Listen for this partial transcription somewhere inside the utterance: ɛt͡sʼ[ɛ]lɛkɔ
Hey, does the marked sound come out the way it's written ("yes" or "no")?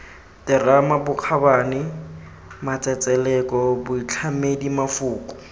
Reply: yes